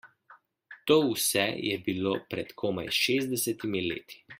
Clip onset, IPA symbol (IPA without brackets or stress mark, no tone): t̪